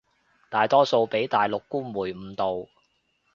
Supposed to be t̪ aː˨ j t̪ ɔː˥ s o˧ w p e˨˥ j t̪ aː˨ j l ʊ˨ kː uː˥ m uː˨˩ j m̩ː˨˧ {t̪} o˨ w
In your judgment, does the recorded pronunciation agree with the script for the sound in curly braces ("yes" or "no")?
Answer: yes